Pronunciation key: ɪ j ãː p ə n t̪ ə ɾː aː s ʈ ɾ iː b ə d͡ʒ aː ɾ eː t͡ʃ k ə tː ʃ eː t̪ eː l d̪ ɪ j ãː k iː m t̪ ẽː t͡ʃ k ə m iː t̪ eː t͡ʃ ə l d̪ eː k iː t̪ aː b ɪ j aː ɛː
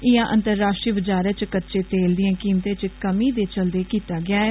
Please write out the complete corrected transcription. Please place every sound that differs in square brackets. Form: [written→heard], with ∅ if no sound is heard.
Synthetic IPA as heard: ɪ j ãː [p→ʔ] ə n t̪ ə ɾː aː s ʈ ɾ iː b ə d͡ʒ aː ɾ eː t͡ʃ k ə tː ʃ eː t̪ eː l d̪ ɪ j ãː k iː m t̪ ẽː t͡ʃ k ə m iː [t̪→d̪] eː t͡ʃ ə l d̪ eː k iː t̪ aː [b→ɡ] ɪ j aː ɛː